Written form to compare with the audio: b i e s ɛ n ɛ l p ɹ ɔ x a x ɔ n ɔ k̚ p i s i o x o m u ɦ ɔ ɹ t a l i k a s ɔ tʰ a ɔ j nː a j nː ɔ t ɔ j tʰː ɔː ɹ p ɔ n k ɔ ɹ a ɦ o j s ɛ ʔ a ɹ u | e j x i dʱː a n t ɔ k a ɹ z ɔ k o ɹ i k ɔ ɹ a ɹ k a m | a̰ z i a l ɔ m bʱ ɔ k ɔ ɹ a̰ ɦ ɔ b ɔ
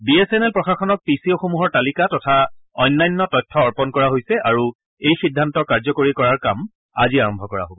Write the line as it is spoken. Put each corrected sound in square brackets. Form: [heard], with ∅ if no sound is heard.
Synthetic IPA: b i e s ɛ n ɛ l p ɹ ɔ x a x ɔ n ɔ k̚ p i s i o x o m u ɦ ɔ ɹ t a l i k a [t] ɔ tʰ a ɔ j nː a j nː ɔ t ɔ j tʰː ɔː ɹ p ɔ n k ɔ ɹ a ɦ o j s ɛ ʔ a ɹ u | e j x i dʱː a n t ɔ k a ɹ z ɔ k o ɹ i k ɔ ɹ a ɹ k a m | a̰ z i a [ɹ] ɔ m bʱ ɔ k ɔ ɹ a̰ ɦ [o] b ɔ

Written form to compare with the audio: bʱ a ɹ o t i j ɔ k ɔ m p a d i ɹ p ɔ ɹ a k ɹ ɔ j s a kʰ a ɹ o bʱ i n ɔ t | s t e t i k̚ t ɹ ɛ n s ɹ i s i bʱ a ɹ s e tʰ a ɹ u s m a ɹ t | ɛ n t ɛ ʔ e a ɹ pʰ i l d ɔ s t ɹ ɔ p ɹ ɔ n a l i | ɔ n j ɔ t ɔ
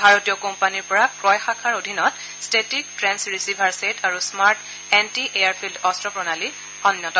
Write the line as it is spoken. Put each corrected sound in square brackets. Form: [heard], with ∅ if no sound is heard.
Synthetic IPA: bʱ a ɹ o t i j ɔ k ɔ m p a [n] i ɹ p ɔ ɹ a k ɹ ɔ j [x] a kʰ a ɹ o [dʱ] i n ɔ t | s t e t i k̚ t ɹ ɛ n s ɹ i s i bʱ a ɹ s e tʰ a ɹ u s m a ɹ t | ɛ n t [i] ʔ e a ɹ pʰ i l d ɔ s t ɹ ɔ p ɹ ɔ n a l i | ɔ n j ɔ t ɔ

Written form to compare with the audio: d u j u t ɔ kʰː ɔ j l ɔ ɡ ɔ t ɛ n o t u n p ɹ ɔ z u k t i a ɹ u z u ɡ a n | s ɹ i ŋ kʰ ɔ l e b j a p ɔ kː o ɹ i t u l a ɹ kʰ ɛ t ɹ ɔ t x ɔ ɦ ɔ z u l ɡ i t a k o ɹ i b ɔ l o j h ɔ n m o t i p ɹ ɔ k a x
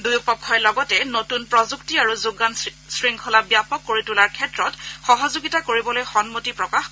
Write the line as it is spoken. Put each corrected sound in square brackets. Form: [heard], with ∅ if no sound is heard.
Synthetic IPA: d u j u [p] ɔ kʰː ɔ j l ɔ ɡ ɔ t ɛ n o t u n p ɹ ɔ z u k t i a ɹ u z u ɡ a n | s ɹ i ŋ kʰ ɔ l [a] b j a p ɔ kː o ɹ i t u l a ɹ kʰ ɛ t ɹ ɔ t x ɔ ɦ ɔ z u [∅] ɡ i t a k o ɹ i b ɔ l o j [x] ɔ n m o t i p ɹ ɔ k a x

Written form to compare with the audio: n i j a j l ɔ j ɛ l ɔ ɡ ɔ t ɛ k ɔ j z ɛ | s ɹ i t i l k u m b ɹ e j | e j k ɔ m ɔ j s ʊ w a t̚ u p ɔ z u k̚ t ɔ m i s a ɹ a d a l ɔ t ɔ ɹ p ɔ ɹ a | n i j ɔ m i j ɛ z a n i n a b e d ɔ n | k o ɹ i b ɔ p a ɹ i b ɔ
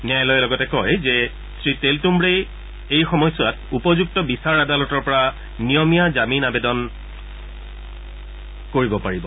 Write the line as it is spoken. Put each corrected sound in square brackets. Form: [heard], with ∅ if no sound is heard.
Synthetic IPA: n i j a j l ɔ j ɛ l ɔ ɡ ɔ t ɛ k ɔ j z ɛ | s ɹ i t [e] l [t] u m b ɹ e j | e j [x] ɔ m ɔ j s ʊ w a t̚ u p ɔ z u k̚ t ɔ [b] i s a ɹ a d a l ɔ t ɔ ɹ p ɔ ɹ a | n i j ɔ m i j [a] z a [m] i n a b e d ɔ n | k o ɹ i b ɔ p a ɹ i b ɔ

